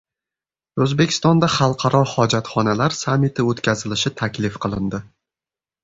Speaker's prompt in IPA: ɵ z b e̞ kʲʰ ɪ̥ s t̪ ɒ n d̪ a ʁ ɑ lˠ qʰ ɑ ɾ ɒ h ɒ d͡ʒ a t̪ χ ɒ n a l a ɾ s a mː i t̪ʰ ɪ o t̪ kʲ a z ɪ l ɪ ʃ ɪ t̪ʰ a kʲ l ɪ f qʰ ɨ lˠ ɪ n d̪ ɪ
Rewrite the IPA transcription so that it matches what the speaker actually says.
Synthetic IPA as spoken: ɵ z b e̞ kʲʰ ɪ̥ s t̪ ɒ n d̪ a χ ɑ lˠ qʰ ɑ ɾ ɒ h ɒ d͡ʒ a t̪ χ ɒ n a l a ɾ s a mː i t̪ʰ ɪ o t̪ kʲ a z ɪ l ɪ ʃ ɪ t̪ʰ a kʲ l ɪ f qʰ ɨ lˠ ɪ n d̪ ɪ